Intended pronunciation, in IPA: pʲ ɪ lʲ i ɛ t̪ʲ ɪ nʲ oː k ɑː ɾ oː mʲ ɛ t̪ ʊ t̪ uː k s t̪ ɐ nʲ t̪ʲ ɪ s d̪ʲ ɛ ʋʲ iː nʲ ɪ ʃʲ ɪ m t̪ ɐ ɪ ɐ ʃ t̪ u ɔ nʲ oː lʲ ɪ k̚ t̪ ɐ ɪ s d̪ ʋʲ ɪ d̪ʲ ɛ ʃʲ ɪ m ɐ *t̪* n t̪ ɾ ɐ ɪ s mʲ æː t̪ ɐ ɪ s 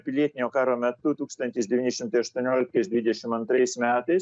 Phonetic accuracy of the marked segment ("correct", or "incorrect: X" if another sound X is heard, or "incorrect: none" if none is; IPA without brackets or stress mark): incorrect: none